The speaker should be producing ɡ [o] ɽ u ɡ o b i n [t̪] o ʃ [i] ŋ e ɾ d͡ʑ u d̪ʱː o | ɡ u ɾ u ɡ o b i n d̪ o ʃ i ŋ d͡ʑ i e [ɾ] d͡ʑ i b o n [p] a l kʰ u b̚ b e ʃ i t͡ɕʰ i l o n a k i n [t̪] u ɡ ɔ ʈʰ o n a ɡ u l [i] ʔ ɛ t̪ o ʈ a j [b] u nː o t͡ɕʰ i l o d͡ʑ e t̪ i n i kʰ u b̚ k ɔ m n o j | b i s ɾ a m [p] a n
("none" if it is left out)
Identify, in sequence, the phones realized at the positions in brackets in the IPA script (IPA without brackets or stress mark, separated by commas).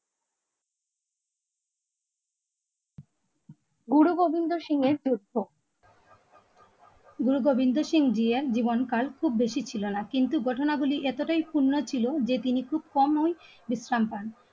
u, d̪, i, ɾ, k, t̪, i, p, p